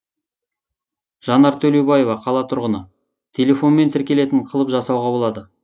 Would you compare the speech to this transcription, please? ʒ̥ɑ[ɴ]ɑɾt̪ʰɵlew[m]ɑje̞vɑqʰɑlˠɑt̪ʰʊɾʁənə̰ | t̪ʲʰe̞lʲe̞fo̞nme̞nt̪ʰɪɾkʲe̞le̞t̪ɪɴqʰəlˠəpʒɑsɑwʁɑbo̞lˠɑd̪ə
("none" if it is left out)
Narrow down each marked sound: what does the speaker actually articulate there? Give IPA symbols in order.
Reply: n, b

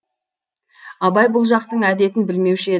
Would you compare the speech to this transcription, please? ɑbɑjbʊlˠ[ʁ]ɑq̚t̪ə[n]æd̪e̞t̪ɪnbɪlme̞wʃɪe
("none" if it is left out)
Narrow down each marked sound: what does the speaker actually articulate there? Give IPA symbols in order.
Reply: ʒ, ɴ

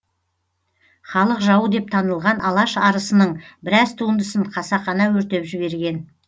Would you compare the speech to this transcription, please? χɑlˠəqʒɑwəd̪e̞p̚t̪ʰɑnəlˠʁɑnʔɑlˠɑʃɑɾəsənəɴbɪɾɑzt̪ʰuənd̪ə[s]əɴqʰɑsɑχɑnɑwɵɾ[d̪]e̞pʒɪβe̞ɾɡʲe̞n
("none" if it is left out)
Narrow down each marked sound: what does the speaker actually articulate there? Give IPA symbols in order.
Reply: s, t̪

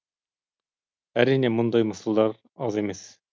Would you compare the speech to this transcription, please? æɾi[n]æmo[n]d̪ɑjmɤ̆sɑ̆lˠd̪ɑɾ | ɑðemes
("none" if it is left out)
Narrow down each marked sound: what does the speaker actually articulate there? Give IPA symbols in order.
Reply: n, n

